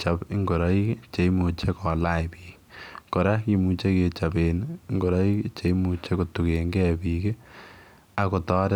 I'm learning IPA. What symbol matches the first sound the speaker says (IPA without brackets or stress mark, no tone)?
t͡ʃ